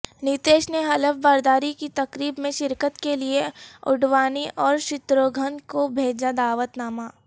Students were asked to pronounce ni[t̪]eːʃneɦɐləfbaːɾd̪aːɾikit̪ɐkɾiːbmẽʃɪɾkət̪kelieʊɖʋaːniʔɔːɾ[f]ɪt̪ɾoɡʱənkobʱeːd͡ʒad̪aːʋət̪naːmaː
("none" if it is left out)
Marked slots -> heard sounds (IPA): t̪, ʃ

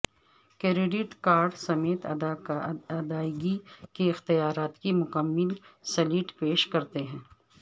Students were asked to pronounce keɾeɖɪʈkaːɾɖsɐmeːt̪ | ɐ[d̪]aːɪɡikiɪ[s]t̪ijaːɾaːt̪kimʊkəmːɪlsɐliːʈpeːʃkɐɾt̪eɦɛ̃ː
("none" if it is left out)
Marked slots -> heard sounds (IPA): d̪, x

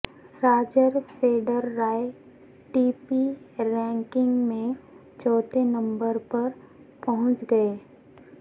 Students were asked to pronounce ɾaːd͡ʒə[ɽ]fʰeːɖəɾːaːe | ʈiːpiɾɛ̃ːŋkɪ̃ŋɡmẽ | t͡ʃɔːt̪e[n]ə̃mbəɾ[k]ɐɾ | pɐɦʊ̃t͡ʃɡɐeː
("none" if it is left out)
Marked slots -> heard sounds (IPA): ɾ, n, p

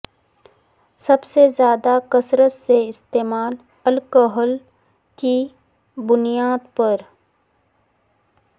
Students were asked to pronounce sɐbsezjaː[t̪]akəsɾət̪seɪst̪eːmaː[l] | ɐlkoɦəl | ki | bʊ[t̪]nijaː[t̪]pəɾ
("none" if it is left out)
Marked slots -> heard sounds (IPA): d̪, l, none, d̪

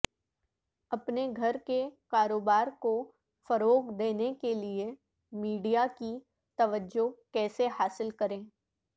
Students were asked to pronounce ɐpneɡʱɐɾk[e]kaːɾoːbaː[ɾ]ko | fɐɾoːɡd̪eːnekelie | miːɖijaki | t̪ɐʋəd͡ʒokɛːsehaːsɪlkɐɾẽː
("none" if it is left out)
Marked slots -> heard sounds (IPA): e, ɾ

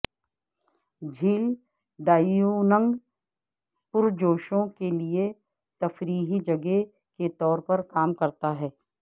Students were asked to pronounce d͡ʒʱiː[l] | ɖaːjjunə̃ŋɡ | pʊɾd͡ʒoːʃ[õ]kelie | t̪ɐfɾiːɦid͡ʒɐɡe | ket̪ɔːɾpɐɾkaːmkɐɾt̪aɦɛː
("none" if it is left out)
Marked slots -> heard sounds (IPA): l, õ

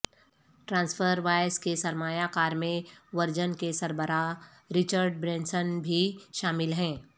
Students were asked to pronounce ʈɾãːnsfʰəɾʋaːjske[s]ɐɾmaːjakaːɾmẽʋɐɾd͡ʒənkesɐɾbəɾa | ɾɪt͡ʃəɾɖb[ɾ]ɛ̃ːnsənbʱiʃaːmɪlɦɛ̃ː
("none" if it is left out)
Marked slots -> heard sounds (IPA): s, ɾ

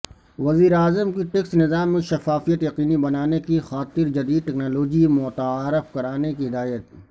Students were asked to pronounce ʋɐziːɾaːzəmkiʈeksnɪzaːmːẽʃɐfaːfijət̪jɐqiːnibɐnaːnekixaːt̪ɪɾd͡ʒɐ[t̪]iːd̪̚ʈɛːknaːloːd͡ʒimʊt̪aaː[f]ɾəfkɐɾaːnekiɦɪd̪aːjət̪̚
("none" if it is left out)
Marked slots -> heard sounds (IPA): d̪, none

